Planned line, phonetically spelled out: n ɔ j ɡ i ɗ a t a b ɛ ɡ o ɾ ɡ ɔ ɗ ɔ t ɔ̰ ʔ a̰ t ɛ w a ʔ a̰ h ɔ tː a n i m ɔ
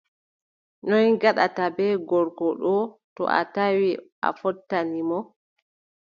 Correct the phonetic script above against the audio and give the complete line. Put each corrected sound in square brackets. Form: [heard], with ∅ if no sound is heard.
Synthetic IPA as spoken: n ɔ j ɡ [a] ɗ a t a b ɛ ɡ [ɔ] ɾ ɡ ɔ ɗ ɔ t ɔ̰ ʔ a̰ t [a] w [i] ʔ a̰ [f] ɔ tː a n i m ɔ